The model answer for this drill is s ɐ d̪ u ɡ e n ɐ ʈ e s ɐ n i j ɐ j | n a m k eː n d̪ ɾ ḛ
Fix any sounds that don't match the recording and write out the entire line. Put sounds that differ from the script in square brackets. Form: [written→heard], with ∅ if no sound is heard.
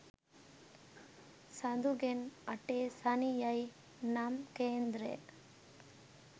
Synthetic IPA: s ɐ d̪ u ɡ e n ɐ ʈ e s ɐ n i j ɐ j | n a m k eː n d̪ ɾ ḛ